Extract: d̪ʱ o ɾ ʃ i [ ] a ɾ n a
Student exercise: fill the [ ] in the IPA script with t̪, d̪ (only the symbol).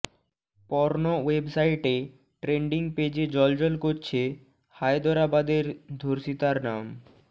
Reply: t̪